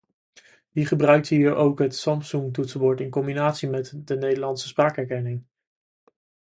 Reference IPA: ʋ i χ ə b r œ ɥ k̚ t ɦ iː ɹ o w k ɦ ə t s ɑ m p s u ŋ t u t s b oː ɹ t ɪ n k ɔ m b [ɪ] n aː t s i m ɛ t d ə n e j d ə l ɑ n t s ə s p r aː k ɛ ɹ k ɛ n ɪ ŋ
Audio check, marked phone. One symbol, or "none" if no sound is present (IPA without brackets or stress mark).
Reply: i